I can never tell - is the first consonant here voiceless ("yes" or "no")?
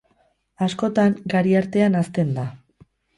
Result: yes